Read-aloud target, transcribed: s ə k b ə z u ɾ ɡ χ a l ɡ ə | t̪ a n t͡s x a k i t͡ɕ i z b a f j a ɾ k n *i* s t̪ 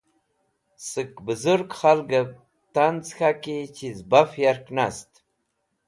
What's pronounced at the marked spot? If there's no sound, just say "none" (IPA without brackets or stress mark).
a